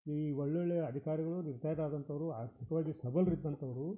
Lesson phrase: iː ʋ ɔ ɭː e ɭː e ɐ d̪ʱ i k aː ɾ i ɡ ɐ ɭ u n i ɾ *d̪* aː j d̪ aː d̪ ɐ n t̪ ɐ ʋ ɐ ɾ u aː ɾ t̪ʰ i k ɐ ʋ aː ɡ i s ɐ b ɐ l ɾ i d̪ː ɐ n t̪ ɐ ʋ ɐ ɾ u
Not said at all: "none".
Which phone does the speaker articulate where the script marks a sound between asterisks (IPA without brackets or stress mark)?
t̪